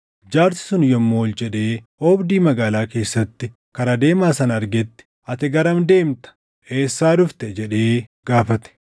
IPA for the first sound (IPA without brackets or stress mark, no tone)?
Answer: d͡ʒ